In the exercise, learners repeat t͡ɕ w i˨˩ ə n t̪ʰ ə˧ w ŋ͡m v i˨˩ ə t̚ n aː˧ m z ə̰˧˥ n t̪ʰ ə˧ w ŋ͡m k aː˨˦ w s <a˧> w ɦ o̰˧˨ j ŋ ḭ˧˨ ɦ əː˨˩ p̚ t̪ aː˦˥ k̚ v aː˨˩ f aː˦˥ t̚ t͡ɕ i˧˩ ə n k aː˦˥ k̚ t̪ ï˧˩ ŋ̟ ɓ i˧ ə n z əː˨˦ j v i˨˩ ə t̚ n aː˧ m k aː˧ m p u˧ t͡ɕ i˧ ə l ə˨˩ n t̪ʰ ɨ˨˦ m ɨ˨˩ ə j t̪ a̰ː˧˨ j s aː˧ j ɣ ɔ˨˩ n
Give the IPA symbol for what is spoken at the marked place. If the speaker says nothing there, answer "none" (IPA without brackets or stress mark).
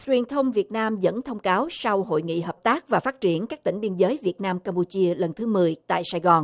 a˧